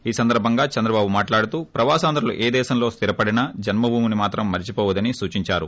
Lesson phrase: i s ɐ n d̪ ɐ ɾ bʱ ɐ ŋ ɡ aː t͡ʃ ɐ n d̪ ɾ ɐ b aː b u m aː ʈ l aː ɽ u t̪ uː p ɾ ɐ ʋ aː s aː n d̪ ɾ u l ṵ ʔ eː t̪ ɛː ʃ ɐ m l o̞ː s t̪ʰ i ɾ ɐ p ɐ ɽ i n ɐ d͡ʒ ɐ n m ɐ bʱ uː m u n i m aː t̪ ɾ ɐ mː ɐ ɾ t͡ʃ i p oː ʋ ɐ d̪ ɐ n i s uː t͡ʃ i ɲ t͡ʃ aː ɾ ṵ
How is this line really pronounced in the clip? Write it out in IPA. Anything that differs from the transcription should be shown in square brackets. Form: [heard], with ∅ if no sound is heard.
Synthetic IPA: [iː] s ɐ n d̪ ɐ ɾ bʱ ɐ ŋ ɡ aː t͡ʃ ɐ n d̪ ɾ ɐ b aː b u m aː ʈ l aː ɽ u t̪ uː p ɾ ɐ ʋ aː s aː n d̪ ɾ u l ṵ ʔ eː [d̪] ɛː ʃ ɐ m l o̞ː s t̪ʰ i ɾ ɐ p ɐ ɽ i n ɐ d͡ʒ ɐ n m ɐ bʱ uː m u n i m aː t̪ ɾ ɐ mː ɐ ɾ t͡ʃ i p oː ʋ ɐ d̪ ɐ n i s uː t͡ʃ i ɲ t͡ʃ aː ɾ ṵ